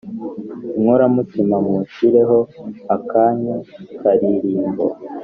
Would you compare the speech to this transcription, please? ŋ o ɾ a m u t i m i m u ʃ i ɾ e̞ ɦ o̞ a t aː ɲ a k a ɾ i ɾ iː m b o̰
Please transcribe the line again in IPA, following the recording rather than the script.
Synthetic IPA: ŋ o ɾ a m u t i m a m u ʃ i ɾ e̞ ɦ o̞ a k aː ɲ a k a ɾ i ɾ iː m b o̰